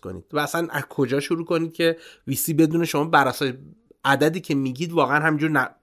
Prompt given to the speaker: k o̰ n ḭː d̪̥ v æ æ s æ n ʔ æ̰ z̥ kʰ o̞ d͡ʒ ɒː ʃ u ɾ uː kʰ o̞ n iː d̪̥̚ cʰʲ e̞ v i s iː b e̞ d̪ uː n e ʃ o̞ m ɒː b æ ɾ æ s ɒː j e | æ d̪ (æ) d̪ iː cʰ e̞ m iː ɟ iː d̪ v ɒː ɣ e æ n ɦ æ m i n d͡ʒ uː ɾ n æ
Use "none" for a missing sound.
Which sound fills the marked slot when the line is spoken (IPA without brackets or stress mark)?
æ